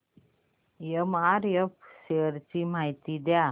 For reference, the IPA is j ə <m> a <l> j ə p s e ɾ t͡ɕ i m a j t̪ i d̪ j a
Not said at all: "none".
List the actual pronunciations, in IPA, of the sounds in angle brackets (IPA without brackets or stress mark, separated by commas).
m, ɾ